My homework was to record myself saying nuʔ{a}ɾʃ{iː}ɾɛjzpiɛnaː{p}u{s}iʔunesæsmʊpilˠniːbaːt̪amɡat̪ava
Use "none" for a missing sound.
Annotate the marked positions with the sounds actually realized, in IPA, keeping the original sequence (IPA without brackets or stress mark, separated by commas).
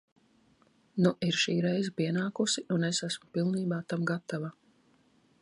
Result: i, iː, k, s